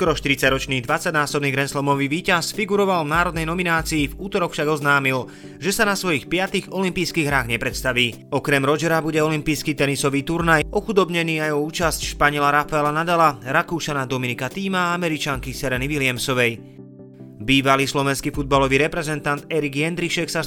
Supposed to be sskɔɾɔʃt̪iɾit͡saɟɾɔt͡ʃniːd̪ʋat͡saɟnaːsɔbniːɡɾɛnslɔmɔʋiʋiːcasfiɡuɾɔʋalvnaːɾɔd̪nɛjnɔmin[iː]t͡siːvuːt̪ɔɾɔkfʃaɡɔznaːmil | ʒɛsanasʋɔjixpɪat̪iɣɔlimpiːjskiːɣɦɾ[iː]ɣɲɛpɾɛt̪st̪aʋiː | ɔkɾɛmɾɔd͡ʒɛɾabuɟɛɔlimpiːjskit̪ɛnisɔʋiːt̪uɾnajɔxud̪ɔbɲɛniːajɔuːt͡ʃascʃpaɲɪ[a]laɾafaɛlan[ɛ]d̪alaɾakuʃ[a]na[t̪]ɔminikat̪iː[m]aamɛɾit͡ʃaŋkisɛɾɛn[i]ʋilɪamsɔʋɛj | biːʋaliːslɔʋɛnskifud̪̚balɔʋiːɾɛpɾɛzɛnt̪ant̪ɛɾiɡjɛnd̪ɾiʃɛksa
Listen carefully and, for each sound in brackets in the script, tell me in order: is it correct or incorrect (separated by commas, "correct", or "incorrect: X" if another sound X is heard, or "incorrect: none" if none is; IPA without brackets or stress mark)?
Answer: incorrect: aː, incorrect: aː, incorrect: ɛ, incorrect: a, correct, incorrect: d̪, correct, correct